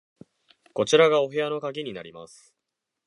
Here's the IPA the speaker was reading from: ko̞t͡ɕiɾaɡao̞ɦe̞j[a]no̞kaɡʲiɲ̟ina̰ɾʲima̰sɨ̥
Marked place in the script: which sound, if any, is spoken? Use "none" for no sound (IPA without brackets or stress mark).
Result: a